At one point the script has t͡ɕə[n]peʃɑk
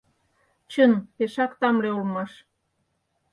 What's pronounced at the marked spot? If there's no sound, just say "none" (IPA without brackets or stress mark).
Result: n